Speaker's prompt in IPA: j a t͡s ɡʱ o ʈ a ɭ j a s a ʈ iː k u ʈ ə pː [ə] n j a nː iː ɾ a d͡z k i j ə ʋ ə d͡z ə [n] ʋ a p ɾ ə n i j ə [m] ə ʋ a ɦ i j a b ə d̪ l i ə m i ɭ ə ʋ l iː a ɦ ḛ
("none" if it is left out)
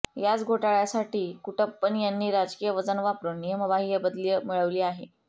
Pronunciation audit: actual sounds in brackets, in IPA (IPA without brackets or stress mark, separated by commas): ə, n, m